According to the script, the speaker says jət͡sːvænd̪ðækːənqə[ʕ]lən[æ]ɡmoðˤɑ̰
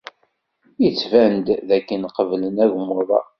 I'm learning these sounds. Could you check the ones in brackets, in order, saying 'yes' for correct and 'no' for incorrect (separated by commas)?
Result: no, yes